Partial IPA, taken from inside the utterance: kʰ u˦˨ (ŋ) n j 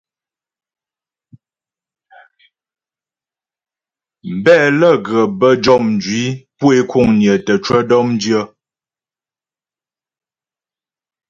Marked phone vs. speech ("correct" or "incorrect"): correct